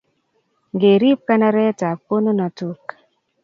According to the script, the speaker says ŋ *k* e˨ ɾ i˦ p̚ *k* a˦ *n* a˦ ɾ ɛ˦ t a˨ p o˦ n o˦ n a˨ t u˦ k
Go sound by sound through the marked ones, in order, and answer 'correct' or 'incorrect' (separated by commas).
incorrect, correct, correct